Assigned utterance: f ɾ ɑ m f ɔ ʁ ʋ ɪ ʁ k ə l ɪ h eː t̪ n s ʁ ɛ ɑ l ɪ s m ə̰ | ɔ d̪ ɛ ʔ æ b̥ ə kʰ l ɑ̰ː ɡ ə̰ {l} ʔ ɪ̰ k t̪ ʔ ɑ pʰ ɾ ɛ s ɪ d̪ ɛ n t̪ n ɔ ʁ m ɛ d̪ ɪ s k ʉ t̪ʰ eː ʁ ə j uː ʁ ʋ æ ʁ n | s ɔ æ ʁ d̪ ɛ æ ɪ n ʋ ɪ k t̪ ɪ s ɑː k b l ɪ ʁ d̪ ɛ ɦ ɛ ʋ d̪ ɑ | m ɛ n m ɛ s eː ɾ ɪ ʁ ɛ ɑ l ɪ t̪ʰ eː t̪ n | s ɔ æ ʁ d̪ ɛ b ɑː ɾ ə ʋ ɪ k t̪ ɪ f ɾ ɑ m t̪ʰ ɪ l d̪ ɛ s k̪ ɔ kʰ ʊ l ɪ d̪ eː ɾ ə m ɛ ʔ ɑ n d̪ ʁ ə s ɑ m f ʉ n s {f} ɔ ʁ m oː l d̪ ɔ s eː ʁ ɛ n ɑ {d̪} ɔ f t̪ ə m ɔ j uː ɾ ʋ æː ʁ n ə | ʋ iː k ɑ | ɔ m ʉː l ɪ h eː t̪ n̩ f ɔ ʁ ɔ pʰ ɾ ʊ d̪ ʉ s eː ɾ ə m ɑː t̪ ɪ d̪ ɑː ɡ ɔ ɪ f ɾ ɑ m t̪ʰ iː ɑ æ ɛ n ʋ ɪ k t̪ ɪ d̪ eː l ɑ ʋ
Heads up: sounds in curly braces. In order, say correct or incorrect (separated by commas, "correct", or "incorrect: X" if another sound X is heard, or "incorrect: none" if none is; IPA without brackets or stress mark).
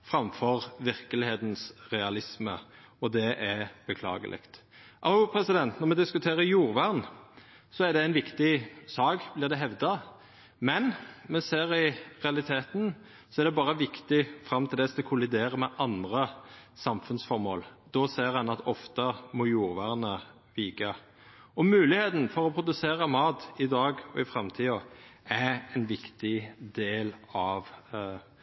correct, correct, incorrect: t̪